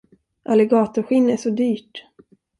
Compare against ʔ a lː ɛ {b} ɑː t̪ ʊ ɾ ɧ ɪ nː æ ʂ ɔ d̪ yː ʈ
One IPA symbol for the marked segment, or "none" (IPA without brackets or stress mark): ɡ